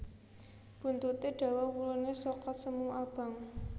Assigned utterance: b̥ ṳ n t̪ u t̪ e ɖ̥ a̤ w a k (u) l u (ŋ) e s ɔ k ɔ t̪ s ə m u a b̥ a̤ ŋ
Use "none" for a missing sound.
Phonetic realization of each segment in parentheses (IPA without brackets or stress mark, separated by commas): u, n